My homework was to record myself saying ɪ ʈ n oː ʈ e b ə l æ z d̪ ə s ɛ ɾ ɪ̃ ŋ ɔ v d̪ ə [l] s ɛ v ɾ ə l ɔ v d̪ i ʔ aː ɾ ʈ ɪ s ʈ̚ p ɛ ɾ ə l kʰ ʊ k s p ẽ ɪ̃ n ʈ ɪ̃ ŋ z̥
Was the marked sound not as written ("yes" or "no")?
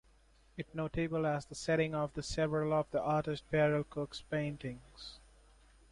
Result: yes